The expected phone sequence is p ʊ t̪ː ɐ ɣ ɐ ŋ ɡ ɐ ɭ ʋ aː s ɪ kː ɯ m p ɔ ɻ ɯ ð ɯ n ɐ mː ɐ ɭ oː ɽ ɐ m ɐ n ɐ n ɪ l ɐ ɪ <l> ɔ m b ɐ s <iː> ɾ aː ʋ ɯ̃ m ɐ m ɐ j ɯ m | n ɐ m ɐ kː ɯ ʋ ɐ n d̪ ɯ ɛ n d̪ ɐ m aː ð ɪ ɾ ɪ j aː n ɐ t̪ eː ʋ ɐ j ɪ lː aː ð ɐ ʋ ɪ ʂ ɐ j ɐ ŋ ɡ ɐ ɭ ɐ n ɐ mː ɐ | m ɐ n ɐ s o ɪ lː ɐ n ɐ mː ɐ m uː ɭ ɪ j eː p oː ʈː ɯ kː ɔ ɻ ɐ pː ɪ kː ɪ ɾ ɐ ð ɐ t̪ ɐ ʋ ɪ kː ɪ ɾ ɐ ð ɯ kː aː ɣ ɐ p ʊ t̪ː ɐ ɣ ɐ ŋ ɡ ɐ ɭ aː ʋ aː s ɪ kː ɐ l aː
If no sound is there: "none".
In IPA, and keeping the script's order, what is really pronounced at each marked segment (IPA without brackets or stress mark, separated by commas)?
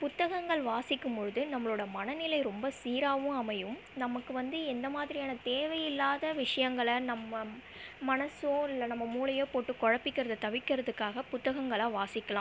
ɾ, iː